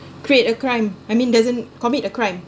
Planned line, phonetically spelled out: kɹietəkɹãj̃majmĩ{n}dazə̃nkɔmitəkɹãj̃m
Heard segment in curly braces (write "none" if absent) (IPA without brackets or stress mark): n